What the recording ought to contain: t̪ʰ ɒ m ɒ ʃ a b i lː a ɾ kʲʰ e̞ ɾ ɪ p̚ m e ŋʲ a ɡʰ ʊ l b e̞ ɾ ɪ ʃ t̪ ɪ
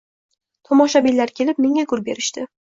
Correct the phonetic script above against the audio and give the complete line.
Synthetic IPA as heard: t̪ʰ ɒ m ɒ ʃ a b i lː a ɾ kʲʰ e̞ l ɪ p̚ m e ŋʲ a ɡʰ ʊ ɾ b e̞ ɾ ɪ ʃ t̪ ɪ